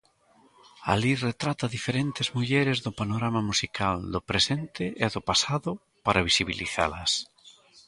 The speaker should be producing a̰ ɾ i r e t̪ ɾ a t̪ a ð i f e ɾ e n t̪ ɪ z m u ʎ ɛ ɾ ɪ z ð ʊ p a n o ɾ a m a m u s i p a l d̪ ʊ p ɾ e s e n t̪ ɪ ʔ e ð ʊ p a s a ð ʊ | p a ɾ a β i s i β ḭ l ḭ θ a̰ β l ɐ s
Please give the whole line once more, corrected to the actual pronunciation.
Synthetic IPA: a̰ l i r e t̪ ɾ a t̪ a ð i f e ɾ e n t̪ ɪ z m u ʎ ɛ ɾ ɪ z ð ʊ p a n o ɾ a m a m u s i k a l d̪ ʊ p ɾ e s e n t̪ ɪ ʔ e ð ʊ p a s a ð ʊ | p a ɾ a β i s i β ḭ l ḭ θ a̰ l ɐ s